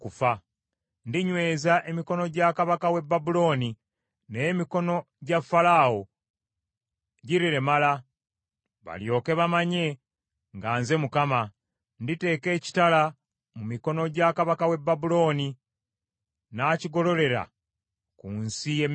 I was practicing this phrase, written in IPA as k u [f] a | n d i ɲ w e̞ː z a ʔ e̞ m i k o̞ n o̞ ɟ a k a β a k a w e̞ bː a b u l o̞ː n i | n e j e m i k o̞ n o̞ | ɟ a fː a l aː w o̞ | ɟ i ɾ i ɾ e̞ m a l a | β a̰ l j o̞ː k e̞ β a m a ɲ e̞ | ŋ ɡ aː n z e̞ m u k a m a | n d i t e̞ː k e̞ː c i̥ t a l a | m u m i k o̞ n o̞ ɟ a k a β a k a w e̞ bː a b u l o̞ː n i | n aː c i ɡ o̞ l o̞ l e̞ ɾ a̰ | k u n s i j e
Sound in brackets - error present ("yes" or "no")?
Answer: no